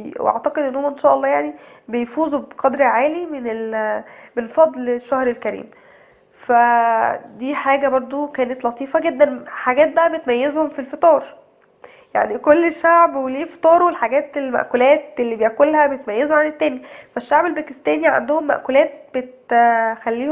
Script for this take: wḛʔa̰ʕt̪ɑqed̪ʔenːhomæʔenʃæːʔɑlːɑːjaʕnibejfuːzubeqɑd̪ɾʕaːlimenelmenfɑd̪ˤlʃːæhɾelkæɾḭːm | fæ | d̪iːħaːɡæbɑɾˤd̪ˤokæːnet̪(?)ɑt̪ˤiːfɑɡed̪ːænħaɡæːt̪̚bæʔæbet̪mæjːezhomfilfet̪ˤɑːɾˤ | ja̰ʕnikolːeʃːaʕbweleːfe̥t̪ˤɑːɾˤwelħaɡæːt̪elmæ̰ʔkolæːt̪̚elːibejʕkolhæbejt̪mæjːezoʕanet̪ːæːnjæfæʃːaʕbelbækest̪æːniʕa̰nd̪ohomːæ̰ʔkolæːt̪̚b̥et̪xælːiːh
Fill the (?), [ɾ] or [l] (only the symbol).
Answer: l